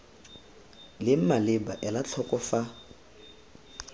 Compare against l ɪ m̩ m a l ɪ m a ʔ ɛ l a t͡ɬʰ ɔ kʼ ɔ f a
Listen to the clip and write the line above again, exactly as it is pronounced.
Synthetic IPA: l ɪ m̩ m a l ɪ b a ʔ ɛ l a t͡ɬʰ ɔ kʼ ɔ f a